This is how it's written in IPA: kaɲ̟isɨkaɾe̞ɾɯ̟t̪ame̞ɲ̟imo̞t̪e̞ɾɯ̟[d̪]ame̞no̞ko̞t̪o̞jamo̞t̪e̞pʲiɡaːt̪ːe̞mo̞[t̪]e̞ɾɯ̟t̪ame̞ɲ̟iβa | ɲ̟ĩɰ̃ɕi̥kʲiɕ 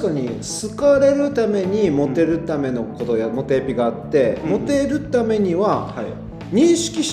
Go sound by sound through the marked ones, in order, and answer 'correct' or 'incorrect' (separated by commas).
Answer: incorrect, correct